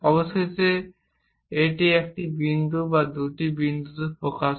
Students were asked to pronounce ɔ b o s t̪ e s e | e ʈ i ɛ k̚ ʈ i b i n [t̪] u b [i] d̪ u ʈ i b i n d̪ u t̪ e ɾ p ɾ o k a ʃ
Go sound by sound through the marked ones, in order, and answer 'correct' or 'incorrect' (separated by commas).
incorrect, incorrect